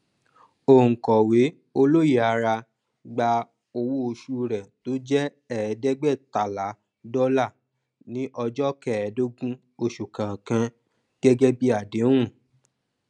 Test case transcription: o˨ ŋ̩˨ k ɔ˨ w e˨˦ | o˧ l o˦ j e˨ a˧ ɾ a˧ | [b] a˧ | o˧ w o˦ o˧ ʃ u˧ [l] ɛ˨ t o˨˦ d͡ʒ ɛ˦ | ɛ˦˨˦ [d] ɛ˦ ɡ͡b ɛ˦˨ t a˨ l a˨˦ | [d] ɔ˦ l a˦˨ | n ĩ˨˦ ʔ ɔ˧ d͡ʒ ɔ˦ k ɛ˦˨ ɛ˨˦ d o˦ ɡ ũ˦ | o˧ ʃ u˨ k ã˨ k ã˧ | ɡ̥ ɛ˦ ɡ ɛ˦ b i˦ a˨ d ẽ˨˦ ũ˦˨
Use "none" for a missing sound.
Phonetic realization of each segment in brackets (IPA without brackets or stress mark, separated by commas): ɡ͡b, ɾ, d, d